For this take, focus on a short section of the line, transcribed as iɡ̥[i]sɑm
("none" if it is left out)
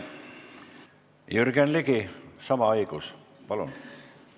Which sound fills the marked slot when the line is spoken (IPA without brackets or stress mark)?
i